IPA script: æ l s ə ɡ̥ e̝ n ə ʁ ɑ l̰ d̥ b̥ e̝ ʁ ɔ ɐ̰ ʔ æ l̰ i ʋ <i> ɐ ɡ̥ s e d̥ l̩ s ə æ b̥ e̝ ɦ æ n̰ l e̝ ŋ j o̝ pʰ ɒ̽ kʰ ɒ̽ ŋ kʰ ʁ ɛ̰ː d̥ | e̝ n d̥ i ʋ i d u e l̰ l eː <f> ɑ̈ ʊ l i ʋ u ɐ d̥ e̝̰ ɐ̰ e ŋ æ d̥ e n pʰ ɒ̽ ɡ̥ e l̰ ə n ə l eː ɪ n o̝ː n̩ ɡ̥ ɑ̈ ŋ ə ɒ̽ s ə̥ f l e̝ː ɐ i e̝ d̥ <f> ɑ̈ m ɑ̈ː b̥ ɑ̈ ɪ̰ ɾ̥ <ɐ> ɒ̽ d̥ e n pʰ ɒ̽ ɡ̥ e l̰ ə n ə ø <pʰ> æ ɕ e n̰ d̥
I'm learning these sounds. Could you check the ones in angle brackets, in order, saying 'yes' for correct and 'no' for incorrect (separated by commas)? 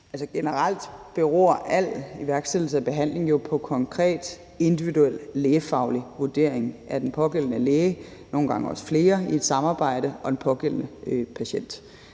no, yes, no, no, yes